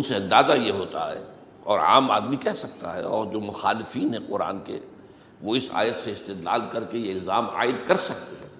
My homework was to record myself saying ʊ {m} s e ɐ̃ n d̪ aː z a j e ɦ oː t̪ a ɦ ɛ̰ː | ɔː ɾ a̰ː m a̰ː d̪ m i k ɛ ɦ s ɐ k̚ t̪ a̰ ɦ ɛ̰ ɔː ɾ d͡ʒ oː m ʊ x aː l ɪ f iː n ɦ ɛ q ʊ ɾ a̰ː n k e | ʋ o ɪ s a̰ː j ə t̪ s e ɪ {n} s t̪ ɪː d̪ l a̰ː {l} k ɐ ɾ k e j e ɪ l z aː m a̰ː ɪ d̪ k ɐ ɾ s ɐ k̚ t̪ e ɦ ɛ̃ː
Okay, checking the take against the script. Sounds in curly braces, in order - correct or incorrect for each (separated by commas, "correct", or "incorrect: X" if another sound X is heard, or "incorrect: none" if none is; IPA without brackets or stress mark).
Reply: incorrect: n, incorrect: none, correct